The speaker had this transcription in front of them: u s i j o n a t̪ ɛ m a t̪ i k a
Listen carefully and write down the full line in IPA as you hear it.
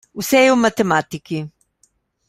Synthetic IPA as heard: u s ɛ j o m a t̪ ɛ m a t̪ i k i